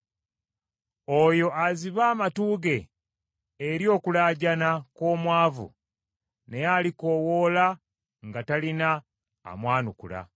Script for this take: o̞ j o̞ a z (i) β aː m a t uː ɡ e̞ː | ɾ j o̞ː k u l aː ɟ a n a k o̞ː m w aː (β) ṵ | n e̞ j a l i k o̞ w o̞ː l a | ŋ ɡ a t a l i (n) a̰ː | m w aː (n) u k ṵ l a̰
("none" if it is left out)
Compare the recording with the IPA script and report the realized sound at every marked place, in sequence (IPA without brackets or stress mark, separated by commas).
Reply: i, v, n, n